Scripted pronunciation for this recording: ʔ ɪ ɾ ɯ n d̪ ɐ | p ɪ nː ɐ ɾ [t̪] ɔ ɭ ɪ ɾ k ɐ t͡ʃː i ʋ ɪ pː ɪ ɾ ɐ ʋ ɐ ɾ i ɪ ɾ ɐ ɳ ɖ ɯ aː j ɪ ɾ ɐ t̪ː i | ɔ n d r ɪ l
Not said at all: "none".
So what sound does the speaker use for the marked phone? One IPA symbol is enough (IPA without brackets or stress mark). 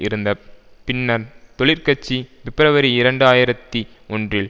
t̪